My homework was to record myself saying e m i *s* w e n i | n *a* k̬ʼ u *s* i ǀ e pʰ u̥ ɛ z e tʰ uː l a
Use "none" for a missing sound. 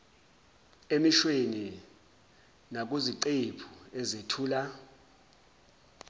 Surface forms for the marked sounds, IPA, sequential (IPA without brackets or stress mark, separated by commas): ʃ, a, z